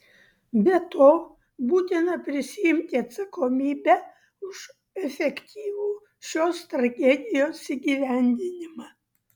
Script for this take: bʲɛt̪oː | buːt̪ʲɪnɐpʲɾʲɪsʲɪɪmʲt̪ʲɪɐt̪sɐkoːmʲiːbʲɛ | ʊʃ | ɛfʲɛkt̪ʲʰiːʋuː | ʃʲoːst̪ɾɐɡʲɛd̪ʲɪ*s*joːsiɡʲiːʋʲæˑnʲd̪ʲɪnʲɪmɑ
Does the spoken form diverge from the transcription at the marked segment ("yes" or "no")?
yes